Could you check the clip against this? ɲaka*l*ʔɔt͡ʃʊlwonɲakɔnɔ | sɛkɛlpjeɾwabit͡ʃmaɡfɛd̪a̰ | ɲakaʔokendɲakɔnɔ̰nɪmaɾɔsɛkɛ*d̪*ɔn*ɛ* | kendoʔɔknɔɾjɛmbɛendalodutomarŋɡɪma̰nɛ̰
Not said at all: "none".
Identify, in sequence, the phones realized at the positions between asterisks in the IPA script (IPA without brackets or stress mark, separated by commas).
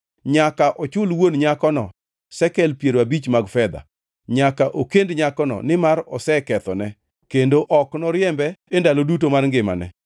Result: none, t̪, ɛ